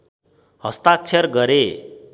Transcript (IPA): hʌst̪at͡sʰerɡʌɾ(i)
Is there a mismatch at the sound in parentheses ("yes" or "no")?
yes